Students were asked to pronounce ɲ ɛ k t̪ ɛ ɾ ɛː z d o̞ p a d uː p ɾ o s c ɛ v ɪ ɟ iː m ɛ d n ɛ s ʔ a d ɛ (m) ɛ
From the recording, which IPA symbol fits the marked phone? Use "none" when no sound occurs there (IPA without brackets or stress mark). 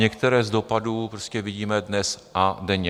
ɲ